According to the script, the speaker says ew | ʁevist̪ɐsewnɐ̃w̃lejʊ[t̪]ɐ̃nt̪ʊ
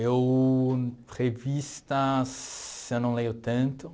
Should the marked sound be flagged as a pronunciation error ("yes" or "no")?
no